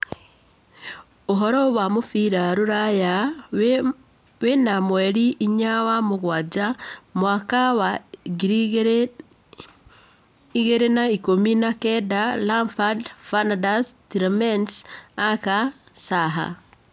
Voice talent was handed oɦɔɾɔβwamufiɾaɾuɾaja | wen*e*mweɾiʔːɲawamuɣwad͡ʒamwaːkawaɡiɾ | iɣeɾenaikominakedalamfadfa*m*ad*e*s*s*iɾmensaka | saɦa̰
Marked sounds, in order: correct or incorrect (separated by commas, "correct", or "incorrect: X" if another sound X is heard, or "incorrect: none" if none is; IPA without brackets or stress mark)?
incorrect: a, incorrect: n, incorrect: a, incorrect: t